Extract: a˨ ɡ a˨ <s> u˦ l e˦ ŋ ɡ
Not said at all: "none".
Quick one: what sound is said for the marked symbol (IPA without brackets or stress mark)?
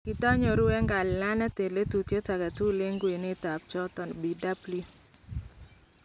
t